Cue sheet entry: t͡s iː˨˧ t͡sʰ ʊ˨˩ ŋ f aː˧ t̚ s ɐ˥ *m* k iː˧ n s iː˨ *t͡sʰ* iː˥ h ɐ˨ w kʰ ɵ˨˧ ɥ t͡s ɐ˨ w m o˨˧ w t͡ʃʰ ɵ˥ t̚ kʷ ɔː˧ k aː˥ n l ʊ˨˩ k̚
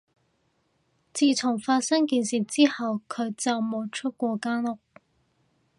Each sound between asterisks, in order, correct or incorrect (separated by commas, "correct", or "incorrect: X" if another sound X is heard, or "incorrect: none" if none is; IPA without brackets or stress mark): incorrect: ŋ, incorrect: t͡s